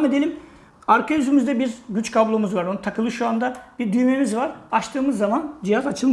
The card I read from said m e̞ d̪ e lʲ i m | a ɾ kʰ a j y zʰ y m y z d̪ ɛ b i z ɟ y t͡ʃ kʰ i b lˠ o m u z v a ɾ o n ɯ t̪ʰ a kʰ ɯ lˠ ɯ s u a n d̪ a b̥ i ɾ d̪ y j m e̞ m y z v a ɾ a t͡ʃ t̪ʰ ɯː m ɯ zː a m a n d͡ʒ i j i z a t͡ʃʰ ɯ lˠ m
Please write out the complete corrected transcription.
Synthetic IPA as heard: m e̞ d̪ e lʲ i m | a ɾ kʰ a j y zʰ y m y z d̪ ɛ b i z ɟ y t͡ʃ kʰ a b lˠ o m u z v a ɾ o n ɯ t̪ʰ a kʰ ɯ lˠ ɯ ʃ u a n d̪ a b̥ i ɾ d̪ y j m e̞ m i z v a ɾ a t͡ʃ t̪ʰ ɯː m ɯ zː a m a n d͡ʒ i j a z a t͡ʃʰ ɯ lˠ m